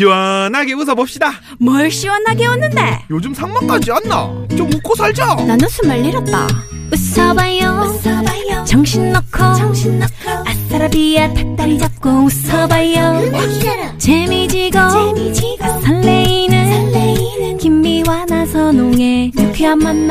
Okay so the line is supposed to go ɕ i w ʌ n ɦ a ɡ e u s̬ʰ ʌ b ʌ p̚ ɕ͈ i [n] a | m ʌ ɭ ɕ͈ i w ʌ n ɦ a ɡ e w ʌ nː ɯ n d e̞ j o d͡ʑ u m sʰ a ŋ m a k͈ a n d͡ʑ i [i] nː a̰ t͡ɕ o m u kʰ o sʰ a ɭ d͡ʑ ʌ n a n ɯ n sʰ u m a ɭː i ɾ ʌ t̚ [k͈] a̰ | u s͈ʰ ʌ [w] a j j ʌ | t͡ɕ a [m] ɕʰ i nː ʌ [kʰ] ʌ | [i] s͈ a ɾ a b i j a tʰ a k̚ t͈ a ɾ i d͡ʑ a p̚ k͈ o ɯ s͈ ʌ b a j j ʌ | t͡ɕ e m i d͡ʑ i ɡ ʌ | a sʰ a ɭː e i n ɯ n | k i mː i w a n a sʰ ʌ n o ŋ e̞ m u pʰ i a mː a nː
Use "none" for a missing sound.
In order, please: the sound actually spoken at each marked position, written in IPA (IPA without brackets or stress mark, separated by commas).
d, a, t͈, b, ŋ, kʰ, a